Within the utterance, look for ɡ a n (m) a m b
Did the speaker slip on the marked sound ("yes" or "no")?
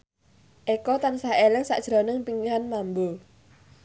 no